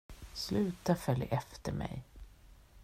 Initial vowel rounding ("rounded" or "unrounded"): rounded